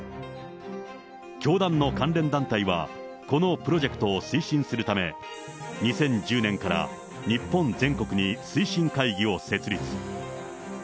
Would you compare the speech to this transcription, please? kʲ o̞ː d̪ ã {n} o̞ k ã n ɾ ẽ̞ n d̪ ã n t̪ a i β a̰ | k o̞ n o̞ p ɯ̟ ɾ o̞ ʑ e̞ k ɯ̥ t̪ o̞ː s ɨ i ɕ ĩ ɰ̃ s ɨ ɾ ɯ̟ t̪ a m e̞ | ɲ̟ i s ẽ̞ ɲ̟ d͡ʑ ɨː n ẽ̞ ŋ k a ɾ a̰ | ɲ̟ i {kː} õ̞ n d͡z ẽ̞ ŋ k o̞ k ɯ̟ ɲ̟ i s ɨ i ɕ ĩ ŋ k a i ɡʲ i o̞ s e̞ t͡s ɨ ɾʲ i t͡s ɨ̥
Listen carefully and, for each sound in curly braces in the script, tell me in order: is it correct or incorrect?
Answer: incorrect, incorrect

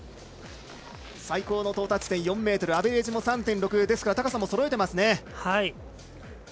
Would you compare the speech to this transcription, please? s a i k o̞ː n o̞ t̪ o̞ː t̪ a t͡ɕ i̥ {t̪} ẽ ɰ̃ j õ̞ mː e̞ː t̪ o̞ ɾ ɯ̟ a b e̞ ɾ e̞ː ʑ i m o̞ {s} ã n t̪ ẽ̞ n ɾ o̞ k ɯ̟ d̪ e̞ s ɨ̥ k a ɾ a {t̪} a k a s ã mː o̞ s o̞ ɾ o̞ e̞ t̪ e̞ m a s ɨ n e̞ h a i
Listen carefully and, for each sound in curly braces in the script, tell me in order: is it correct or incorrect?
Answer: correct, correct, correct

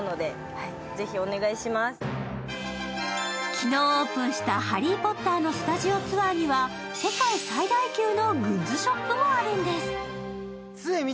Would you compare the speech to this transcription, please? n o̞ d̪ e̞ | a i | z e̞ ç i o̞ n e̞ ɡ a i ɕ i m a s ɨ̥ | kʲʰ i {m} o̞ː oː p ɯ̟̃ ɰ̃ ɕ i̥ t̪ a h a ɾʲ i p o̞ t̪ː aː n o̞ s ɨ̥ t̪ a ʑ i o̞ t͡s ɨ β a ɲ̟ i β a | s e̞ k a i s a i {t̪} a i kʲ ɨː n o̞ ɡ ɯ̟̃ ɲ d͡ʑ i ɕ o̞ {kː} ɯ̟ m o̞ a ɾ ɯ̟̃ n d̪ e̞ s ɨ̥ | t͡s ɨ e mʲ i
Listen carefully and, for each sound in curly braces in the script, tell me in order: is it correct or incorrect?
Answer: incorrect, incorrect, incorrect

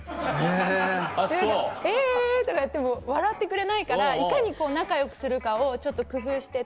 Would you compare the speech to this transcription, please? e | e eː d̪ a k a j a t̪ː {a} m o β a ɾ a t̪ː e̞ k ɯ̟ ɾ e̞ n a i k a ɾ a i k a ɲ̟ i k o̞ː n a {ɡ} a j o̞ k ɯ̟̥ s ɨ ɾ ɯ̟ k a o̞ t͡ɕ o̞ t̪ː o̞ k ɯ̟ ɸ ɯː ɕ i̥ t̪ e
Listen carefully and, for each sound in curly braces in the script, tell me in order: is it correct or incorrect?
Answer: incorrect, incorrect

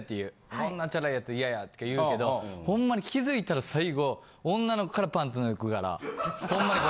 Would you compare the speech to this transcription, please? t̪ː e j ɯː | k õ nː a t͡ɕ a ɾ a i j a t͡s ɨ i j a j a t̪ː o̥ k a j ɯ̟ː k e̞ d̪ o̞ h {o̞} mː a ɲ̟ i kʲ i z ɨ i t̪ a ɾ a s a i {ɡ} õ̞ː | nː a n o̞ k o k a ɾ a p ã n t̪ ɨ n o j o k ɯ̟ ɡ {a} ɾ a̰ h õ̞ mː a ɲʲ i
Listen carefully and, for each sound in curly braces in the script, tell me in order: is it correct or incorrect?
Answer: incorrect, correct, correct

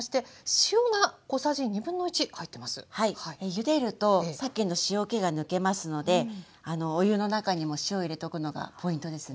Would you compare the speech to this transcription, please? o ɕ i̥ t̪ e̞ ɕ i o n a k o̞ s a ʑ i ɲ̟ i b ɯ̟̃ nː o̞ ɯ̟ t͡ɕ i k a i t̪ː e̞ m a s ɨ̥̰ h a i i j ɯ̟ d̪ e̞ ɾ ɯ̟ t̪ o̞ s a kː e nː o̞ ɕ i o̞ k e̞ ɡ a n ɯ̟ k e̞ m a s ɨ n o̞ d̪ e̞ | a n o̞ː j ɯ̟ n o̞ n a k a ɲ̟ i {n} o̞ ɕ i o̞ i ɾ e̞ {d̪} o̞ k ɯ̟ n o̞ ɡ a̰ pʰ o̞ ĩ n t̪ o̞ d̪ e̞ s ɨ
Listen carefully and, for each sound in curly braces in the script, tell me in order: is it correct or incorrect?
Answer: incorrect, incorrect

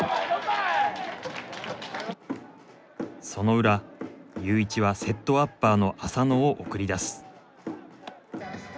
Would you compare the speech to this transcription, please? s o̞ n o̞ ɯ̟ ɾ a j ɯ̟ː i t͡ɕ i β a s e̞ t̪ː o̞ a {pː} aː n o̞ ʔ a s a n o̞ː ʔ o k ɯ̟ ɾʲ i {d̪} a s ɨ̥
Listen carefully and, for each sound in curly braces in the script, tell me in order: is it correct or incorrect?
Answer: correct, correct

